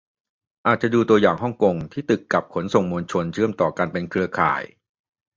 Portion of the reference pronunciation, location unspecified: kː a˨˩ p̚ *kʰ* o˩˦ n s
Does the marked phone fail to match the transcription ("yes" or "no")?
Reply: no